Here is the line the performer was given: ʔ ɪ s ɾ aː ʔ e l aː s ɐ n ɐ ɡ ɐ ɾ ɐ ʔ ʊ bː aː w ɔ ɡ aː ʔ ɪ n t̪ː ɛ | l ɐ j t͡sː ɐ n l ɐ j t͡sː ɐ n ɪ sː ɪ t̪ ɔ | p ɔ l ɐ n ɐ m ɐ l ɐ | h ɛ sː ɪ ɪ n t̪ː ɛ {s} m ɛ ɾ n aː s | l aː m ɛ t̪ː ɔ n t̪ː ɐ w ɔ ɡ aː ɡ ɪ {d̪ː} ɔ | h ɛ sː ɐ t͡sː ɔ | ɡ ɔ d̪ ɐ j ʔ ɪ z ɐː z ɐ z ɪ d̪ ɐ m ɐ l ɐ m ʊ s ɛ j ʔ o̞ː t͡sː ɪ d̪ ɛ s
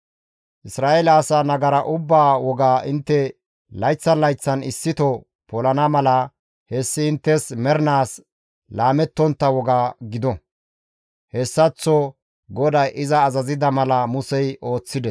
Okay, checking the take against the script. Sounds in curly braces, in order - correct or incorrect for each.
correct, incorrect

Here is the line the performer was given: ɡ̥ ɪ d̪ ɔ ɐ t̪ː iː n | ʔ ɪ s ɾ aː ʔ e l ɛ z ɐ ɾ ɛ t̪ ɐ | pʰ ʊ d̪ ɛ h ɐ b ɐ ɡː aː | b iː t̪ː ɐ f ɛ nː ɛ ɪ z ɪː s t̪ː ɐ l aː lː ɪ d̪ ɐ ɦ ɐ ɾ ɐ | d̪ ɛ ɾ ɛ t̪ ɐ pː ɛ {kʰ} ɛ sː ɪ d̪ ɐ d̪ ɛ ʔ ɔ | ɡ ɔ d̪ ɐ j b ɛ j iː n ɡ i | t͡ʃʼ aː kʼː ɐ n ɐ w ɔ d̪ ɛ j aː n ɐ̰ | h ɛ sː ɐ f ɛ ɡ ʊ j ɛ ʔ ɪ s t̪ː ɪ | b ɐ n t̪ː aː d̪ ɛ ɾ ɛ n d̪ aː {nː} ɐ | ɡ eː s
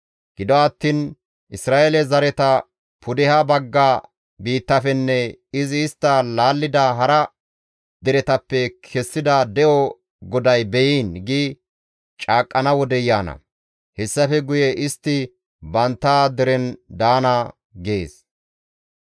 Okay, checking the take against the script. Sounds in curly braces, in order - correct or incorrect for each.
correct, incorrect

